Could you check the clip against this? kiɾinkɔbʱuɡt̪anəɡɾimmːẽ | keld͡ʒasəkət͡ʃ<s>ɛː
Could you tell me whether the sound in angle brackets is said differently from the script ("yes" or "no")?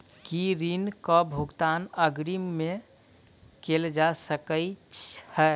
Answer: yes